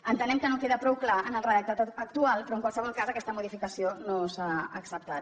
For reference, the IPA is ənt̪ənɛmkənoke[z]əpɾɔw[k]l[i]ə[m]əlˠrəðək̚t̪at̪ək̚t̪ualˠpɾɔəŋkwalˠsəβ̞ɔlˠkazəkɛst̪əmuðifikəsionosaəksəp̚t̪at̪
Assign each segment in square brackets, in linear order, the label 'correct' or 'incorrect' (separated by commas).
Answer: incorrect, correct, incorrect, incorrect